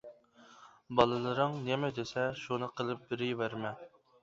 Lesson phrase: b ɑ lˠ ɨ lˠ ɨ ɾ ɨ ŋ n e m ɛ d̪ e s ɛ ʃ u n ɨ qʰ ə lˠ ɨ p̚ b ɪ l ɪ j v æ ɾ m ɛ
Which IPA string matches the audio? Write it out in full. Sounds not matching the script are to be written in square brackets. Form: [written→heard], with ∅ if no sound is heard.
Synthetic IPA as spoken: b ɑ lˠ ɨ lˠ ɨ ɾ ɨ ŋ n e m ɛ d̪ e s ɛ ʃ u n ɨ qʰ ə lˠ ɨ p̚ b ɪ [l→ɾ] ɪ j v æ ɾ m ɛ